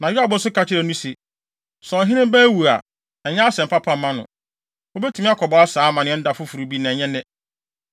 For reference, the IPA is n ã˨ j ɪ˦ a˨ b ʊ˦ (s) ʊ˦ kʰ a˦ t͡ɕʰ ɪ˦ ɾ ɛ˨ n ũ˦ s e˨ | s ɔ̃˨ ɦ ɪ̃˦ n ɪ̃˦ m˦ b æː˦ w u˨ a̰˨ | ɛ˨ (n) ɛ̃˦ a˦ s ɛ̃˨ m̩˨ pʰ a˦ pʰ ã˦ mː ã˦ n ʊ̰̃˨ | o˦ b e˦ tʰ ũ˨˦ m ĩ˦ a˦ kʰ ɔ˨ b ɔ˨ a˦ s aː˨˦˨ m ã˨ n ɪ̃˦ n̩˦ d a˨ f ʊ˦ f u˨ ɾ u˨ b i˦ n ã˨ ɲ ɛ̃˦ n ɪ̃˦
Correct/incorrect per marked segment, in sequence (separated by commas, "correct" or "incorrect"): correct, incorrect